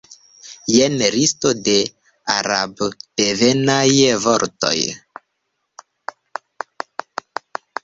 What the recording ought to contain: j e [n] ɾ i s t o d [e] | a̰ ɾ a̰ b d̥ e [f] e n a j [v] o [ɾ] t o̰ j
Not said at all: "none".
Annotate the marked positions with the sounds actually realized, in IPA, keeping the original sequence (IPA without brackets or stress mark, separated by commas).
n, e, v, v, ɾ